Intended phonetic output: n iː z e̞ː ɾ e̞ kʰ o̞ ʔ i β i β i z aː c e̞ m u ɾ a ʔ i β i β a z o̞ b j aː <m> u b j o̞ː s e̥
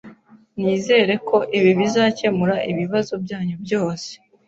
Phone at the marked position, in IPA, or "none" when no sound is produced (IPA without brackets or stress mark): ɲ